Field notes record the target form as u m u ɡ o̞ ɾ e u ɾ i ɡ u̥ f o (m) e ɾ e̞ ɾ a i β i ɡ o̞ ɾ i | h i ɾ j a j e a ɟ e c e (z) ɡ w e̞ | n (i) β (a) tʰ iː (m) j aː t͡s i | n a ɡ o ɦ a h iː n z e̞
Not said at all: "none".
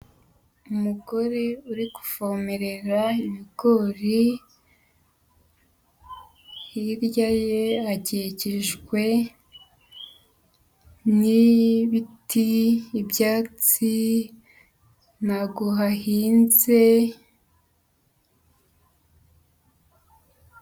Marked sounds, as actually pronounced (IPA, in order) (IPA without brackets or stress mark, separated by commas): m, ʒ, i, i, b